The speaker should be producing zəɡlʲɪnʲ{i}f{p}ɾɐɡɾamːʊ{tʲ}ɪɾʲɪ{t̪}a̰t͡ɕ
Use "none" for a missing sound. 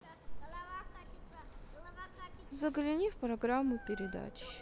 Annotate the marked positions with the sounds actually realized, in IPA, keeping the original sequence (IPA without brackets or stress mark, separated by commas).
i, p, pʲ, d̪